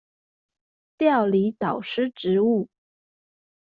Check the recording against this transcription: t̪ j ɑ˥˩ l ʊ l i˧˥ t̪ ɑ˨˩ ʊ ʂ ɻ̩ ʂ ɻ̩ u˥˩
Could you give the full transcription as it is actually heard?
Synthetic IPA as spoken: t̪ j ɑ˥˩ ʊ l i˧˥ t̪ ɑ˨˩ ʊ ʂ ɻ̩ ʈ͡ʂ ɻ̩ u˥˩